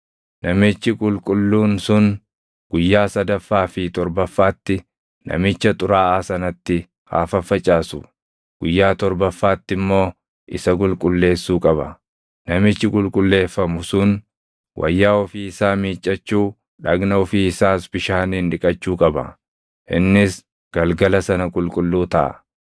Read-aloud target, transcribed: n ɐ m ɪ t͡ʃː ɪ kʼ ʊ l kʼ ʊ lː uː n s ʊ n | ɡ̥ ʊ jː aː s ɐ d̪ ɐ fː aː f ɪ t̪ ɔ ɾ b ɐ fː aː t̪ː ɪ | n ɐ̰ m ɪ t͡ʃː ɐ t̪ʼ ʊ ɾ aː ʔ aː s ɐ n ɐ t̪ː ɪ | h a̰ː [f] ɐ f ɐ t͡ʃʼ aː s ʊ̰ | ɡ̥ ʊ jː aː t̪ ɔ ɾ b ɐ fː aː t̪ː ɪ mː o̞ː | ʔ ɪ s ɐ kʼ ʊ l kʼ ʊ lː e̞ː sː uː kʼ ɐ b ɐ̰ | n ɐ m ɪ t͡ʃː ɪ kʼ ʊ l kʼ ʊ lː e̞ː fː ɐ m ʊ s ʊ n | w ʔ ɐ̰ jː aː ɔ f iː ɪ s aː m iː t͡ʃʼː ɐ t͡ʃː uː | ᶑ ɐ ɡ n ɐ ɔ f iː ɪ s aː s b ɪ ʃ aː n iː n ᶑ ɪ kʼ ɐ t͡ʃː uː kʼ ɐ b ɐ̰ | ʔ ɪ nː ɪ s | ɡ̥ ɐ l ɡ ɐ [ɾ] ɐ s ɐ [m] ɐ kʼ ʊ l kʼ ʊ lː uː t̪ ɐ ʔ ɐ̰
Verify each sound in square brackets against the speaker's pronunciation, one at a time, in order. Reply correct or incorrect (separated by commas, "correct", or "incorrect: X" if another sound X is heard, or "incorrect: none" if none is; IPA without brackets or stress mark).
correct, incorrect: l, incorrect: n